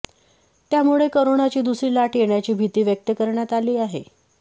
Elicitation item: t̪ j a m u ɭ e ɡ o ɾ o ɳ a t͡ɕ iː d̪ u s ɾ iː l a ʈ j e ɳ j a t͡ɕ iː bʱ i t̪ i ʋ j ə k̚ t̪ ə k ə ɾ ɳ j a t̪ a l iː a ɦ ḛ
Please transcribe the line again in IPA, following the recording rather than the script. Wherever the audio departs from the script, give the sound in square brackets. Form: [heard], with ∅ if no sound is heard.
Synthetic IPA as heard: t̪ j a m u ɭ e [k] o ɾ o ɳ a t͡ɕ iː d̪ u s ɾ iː l a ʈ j e ɳ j a t͡ɕ iː bʱ i t̪ [iː] ʋ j ə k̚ t̪ ə k ə ɾ ɳ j a t̪ a l iː a ɦ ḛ